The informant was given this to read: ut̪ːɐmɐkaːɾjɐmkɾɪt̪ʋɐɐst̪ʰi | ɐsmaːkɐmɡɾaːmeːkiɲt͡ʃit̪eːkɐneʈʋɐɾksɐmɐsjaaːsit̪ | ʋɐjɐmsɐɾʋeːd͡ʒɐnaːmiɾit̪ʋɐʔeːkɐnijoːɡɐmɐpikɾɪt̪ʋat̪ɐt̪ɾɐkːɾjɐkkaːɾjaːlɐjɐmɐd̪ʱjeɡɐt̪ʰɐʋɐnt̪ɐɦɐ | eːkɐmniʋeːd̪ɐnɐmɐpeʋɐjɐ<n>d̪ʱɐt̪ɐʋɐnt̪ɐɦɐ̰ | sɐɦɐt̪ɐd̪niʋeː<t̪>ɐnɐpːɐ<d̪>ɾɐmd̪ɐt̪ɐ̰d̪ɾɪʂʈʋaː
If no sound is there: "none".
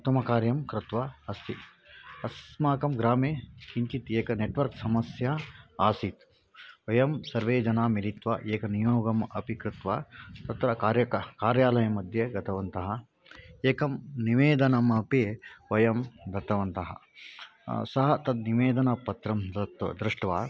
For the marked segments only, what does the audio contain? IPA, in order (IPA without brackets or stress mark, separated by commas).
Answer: m, d̪, t̪